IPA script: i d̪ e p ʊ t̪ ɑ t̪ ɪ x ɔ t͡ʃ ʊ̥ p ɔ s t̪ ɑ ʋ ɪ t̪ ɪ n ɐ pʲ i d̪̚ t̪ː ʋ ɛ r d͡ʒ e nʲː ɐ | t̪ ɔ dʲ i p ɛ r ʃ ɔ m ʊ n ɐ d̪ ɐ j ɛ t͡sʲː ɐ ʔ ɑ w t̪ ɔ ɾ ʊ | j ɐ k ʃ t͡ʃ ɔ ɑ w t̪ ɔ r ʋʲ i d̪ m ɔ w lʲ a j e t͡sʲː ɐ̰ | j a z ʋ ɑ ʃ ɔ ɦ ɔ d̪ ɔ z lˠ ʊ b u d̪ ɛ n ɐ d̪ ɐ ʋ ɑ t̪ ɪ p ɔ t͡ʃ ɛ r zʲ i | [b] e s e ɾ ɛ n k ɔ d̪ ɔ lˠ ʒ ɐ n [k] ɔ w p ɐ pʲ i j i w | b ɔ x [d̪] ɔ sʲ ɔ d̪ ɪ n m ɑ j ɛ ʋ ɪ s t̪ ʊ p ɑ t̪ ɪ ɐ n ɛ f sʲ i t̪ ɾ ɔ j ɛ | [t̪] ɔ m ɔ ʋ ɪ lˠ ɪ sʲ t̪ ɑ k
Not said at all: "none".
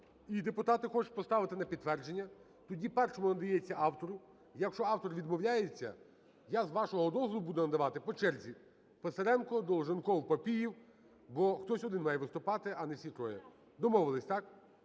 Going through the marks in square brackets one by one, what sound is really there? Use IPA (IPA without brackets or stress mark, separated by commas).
p, k, t̪, d̪